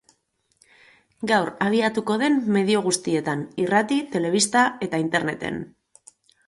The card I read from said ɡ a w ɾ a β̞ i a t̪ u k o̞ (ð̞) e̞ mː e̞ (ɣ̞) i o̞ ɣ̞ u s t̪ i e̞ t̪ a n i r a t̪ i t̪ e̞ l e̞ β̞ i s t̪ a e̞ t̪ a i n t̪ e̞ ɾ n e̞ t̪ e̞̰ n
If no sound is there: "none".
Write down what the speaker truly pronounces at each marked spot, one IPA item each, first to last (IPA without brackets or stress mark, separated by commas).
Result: ð̞, ð̞